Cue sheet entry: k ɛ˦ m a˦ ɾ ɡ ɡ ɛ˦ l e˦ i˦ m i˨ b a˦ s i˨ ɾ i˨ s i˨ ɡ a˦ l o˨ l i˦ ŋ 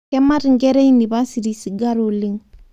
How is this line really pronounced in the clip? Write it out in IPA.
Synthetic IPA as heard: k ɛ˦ m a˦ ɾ ŋ ɡ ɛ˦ ɾ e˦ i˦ n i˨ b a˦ s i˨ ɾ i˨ s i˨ ɡ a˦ ɾ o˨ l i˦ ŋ